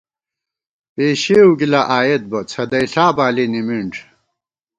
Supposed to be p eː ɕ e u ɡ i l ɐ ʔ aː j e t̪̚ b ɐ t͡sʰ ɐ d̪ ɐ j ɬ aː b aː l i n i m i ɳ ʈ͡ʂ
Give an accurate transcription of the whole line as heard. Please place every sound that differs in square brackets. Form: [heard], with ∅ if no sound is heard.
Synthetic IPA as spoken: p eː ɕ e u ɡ i l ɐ ʔ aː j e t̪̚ b ɐ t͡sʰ ɐ d̪ ɐ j ɬ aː b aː l i n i m i ɳ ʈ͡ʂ